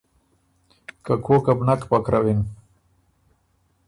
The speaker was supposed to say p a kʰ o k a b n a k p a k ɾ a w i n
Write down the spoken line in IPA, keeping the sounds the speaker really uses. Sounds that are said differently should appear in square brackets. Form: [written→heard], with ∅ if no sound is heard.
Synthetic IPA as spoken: [p→k] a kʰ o k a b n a k p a k ɾ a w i n